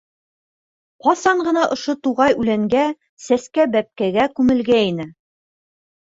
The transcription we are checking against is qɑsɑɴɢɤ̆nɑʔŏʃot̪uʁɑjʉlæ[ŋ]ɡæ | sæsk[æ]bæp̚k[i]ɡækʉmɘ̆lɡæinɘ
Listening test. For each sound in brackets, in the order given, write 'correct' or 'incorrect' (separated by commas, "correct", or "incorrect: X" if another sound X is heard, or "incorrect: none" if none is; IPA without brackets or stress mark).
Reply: correct, correct, incorrect: æ